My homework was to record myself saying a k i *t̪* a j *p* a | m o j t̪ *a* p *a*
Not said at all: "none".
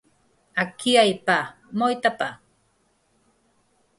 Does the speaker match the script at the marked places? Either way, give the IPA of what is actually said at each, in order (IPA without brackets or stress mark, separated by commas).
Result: none, p, a, a